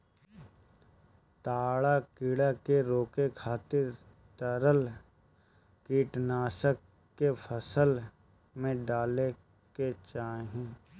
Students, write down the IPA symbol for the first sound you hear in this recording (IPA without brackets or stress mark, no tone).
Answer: t̪